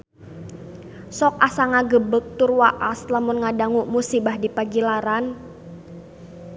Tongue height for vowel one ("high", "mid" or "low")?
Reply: mid